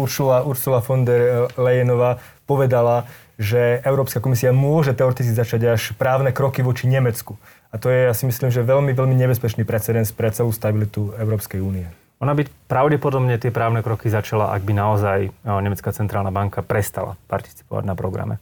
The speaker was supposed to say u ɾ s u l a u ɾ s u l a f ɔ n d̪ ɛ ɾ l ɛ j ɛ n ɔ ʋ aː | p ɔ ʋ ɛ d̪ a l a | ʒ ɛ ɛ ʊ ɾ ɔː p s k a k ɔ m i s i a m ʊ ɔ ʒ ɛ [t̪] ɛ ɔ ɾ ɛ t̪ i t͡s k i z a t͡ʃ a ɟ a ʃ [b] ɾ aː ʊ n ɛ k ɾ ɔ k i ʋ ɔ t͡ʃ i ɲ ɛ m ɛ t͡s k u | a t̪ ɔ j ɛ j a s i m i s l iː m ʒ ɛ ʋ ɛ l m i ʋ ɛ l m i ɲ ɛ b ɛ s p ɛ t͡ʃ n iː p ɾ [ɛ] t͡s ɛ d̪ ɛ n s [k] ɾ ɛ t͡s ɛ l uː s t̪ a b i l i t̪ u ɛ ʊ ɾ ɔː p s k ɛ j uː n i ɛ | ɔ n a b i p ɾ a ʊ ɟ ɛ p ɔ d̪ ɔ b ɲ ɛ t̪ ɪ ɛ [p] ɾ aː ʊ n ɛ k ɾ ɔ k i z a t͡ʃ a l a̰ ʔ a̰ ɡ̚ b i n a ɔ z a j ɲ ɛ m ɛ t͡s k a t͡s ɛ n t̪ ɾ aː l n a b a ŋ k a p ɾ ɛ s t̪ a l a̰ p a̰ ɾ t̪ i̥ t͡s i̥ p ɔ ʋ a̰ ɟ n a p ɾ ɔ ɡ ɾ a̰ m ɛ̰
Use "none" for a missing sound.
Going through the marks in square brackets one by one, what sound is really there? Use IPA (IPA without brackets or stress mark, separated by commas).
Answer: t̪, p, ɛ, p, p